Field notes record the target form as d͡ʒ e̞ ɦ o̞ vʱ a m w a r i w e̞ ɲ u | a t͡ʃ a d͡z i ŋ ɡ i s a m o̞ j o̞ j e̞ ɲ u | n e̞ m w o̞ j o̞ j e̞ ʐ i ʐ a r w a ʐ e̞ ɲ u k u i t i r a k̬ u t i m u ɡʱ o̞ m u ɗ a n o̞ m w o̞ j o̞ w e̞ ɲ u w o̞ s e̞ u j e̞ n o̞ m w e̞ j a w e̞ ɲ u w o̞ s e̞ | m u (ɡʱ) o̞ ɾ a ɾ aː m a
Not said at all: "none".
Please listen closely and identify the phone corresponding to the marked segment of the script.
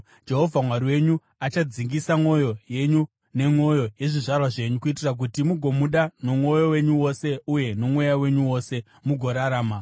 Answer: ɡʱ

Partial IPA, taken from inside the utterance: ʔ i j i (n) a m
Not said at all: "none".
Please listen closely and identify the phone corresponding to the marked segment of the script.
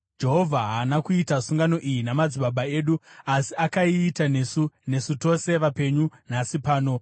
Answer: n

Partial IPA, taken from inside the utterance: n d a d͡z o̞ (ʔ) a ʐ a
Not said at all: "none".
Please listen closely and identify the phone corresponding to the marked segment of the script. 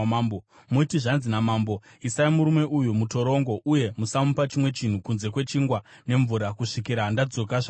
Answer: k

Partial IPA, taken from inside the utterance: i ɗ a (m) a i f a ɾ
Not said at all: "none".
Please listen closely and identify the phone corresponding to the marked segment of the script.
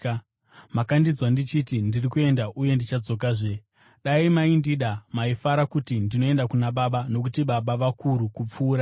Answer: m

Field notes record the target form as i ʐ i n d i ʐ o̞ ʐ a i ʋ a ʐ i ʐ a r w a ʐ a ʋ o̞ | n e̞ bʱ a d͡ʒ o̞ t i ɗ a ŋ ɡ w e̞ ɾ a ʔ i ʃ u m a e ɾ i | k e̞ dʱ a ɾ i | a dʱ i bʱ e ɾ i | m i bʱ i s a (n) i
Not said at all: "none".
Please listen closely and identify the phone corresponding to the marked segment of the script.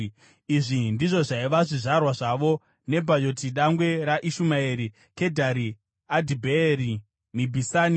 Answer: n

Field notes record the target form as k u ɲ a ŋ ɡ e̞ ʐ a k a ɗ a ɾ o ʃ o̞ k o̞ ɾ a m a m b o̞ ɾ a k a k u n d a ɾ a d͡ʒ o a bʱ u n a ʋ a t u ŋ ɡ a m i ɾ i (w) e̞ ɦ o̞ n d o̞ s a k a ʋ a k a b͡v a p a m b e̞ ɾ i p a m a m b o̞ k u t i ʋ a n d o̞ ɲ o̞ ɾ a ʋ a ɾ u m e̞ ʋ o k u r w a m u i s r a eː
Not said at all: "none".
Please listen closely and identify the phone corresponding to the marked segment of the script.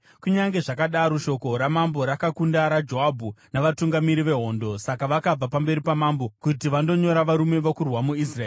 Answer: ʋ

